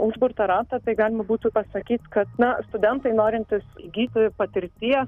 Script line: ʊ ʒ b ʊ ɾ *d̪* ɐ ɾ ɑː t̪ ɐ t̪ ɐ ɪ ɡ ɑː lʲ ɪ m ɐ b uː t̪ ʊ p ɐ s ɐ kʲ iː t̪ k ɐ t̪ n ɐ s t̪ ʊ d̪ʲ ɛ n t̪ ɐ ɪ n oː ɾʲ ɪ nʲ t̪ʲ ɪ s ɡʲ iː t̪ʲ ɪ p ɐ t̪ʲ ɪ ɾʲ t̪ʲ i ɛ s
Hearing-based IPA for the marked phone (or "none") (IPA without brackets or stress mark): t̪